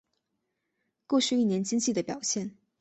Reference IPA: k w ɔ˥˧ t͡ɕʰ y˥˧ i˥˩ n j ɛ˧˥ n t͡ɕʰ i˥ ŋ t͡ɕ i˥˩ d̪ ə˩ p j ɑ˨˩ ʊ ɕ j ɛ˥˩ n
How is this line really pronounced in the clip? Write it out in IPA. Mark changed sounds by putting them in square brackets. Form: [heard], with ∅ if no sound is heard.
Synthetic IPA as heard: k w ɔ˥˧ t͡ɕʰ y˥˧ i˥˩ n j ɛ˧˥ n [t͡ɕ] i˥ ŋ t͡ɕ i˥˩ d̪ ə˩ p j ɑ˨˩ ʊ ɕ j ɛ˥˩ n